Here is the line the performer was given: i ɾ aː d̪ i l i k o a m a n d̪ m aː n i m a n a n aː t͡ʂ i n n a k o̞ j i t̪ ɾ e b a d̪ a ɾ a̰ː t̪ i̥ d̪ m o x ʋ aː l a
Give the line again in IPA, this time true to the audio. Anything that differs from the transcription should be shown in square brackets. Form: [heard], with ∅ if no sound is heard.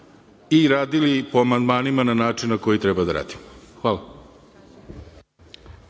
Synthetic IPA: i ɾ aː d̪ i l i [p] o a m a n d̪ m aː n i m a n a n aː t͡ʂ i n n a k o̞ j i t̪ ɾ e b a d̪ a ɾ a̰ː [d̪] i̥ [∅] m o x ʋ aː l a